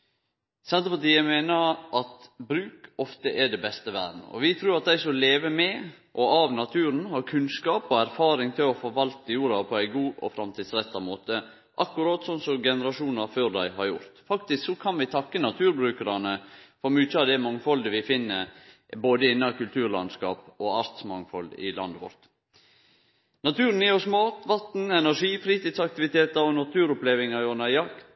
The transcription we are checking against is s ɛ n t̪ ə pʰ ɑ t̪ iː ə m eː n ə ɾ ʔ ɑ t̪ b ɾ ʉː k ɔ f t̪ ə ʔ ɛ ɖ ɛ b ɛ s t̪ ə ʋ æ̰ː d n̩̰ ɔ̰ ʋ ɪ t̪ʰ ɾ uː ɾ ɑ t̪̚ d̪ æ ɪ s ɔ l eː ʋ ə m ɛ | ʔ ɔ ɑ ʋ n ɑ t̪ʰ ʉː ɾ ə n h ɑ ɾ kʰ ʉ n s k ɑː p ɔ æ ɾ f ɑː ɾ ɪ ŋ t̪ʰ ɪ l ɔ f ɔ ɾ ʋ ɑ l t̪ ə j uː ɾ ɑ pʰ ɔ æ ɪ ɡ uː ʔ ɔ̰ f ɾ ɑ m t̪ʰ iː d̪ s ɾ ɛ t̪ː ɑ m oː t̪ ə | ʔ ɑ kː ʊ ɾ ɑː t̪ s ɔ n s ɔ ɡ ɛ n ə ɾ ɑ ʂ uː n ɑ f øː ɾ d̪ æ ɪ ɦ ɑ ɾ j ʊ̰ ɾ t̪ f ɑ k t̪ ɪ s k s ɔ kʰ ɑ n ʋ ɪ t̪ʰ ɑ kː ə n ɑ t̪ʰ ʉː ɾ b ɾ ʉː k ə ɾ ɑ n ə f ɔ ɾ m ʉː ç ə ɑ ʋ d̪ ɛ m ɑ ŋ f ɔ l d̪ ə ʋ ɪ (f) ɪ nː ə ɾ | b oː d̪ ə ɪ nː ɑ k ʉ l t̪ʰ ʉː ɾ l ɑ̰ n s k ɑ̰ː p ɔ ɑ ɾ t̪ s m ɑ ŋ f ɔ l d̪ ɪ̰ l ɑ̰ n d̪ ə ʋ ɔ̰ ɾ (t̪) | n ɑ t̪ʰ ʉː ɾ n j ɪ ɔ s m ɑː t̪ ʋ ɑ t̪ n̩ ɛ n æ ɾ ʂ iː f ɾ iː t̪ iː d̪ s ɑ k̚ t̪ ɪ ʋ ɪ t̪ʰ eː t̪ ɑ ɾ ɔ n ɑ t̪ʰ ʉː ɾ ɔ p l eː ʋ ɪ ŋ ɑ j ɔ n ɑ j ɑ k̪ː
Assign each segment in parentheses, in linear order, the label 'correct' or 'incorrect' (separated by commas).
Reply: correct, correct